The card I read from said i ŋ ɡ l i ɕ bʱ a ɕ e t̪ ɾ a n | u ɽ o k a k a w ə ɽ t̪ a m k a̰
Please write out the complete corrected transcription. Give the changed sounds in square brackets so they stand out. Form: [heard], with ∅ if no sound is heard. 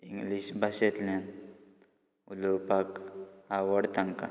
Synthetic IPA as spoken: i ŋ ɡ l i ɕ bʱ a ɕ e t̪ [l] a n | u [l] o [p] a k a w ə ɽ t̪ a [ŋ] k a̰